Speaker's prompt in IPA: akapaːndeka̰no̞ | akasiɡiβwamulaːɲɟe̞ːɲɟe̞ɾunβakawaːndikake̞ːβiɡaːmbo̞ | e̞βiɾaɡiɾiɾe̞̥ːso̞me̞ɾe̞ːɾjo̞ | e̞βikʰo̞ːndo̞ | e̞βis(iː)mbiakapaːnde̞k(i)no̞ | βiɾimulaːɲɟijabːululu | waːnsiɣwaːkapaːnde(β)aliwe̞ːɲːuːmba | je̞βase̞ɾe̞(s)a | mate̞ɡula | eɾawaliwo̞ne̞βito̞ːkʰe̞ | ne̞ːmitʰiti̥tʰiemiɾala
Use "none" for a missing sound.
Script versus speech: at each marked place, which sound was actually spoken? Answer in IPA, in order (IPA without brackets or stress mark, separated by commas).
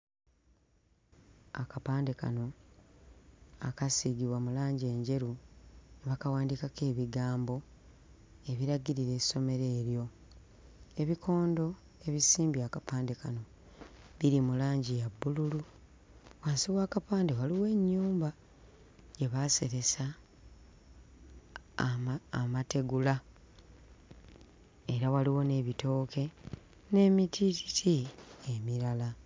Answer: iː, a, w, s